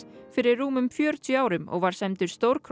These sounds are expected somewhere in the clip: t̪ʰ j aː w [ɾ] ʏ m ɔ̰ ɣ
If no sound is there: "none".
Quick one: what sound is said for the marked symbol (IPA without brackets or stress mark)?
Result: ɾ